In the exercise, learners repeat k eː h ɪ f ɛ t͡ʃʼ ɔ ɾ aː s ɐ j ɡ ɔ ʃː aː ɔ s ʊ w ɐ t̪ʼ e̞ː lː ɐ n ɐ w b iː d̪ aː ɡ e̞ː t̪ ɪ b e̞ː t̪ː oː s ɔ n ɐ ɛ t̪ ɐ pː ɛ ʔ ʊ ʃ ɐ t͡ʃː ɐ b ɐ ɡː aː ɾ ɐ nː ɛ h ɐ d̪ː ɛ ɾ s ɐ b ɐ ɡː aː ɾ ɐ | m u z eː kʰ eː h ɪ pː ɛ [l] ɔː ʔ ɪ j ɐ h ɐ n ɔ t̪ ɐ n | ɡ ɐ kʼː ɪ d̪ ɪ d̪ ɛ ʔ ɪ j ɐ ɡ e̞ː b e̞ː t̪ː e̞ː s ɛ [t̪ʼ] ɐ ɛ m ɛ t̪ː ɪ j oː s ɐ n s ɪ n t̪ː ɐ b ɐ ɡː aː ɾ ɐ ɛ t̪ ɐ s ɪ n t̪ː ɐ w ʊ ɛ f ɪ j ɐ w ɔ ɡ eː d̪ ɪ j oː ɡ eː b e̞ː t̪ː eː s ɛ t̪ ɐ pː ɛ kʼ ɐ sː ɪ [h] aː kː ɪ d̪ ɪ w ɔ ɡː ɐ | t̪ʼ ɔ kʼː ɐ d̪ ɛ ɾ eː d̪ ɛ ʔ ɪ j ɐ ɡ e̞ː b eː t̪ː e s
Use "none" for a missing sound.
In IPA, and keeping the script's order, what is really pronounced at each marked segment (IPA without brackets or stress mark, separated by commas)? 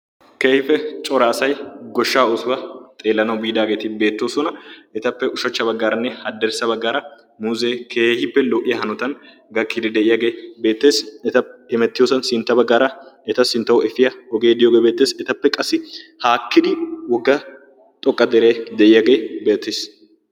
l, t̪, h